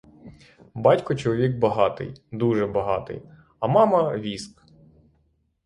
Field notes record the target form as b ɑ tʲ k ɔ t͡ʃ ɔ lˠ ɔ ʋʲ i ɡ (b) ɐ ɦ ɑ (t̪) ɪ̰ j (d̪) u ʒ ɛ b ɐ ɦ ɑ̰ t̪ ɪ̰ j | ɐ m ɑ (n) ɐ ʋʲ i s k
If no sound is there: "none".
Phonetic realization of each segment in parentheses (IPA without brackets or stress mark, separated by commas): b, t̪, d̪, m